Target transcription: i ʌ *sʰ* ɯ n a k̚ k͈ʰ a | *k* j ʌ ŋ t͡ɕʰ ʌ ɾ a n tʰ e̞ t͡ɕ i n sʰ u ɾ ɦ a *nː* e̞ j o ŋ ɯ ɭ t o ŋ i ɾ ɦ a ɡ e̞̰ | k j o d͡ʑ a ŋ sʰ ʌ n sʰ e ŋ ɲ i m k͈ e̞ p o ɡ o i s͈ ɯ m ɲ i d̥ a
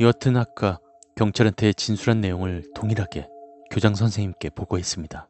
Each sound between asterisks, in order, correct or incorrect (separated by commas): incorrect, correct, correct